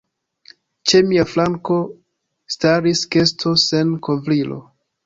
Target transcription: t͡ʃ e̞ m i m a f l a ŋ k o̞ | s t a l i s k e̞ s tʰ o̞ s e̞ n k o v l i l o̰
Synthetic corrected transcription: t͡ʃ e̞ m i a f l a ŋ k o̞ | s t a ɾ i s k e̞ s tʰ o̞ s e̞ n k o v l i l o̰

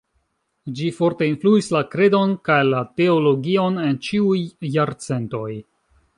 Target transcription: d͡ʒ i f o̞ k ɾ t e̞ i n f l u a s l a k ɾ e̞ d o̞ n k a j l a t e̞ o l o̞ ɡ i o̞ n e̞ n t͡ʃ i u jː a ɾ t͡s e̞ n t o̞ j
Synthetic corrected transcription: d͡ʒ i f o̞ ɾ t e̞ i n f l u i s l a k ɾ e̞ d o̞ n k a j l a t e̞ o l o̞ ɡ i o̞ n e̞ n t͡ʃ i u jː a ɾ t͡s e̞ n t o̞ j

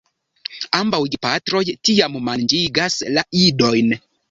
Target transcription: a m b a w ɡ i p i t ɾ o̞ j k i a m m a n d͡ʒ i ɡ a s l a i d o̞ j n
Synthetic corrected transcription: a m b a w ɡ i p a t ɾ o̞ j t i a m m a n d͡ʒ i ɡ a s l a i d o̞ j n

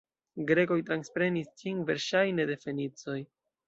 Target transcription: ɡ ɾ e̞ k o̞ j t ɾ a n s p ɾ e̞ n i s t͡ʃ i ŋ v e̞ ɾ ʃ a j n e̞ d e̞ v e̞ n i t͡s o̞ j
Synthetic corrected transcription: ɡ ɾ e̞ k o̞ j t ɾ a n s p ɾ e̞ n i s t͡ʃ i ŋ v e̞ ɾ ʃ a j n e̞ d e̞ f e̞ n i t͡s o̞ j

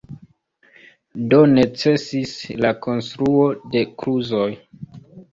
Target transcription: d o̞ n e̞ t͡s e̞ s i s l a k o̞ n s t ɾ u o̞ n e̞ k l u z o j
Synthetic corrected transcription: d o̞ n e̞ t͡s e̞ s i s l a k o̞ n s t ɾ u o̞ d e̞ k ɾ u z o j

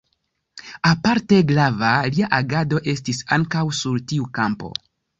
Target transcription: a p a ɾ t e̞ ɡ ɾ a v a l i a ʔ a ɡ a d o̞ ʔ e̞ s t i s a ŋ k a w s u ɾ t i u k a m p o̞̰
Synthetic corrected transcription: a p a ɾ t e̞ ɡ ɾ a v a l i a ʔ a ɡ a d o̞ ʔ e̞ s t i s a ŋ k a w s u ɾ t i u k a m p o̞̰

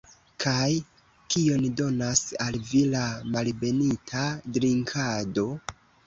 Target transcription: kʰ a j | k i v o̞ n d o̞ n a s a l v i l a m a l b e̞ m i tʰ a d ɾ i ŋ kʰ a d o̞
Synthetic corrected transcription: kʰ a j | k i o̞ n d o̞ n a s a l v i l a m a l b e̞ n i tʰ a d ɾ i ŋ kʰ a d o̞

